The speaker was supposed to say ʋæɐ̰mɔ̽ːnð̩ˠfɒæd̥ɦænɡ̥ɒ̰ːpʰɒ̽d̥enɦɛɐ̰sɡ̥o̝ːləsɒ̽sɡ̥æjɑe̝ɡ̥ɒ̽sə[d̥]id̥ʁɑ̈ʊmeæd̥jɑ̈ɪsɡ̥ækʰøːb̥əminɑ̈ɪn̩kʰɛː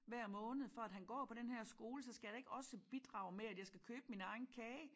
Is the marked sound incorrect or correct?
incorrect